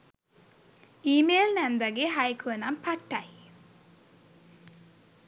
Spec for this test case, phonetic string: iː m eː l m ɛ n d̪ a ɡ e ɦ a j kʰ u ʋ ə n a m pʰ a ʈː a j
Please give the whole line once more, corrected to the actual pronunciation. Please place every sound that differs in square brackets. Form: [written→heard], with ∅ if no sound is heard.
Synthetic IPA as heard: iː m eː l [m→n] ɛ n d̪ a ɡ e ɦ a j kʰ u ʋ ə n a m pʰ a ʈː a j